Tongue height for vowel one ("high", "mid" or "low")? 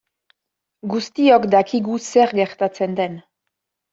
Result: high